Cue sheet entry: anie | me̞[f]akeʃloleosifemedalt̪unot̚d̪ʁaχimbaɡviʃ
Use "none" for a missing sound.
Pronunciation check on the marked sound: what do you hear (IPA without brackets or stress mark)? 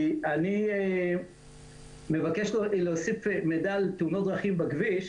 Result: v